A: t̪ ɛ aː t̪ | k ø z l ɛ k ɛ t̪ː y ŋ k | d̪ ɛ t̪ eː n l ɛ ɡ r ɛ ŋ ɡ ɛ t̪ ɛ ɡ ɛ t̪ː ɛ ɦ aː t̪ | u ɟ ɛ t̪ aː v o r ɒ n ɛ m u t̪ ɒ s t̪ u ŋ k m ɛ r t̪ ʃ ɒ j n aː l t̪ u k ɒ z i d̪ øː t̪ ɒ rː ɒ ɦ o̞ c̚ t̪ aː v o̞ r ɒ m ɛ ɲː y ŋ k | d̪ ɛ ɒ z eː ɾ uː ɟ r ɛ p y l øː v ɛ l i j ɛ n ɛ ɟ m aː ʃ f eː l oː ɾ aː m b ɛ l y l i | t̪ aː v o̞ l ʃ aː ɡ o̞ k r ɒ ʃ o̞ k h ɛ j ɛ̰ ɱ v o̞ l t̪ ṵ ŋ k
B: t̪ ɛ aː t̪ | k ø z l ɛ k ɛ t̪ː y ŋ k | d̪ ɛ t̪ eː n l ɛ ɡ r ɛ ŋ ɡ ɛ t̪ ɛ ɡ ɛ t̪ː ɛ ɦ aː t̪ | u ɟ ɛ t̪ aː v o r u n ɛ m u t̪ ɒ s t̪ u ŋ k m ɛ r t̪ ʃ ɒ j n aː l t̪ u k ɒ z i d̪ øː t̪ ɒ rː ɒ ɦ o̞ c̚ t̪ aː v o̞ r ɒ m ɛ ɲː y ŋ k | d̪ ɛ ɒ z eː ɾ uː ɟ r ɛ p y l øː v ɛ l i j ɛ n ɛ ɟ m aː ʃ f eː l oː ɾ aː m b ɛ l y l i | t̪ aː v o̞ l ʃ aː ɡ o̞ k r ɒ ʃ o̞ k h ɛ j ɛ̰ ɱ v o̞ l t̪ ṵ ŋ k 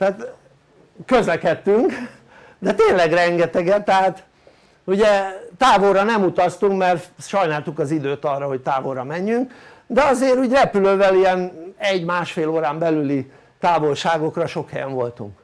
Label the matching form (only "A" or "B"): A